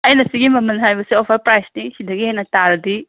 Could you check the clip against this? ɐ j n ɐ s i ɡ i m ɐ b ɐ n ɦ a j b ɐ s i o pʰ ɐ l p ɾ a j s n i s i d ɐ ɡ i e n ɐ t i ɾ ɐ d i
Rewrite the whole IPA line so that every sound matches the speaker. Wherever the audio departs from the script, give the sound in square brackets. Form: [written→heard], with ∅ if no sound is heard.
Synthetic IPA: ɐ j n ɐ s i ɡ i m ɐ [b→m] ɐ n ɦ a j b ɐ s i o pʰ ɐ [l→ɾ] p ɾ a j s n i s i d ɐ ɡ i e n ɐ t [i→a] ɾ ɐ d i